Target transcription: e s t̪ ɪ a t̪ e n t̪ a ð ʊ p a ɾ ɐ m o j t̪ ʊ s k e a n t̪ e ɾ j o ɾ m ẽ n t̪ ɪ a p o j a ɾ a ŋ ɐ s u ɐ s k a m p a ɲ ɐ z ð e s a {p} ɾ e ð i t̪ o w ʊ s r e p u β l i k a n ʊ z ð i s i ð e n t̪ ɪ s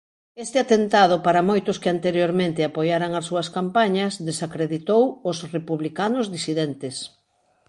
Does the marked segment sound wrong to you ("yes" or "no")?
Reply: yes